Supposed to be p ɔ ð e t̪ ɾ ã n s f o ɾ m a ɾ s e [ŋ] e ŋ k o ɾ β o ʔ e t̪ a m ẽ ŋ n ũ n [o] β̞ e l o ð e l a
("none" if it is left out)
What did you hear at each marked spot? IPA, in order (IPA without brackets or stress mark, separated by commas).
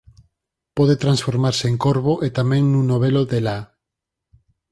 none, o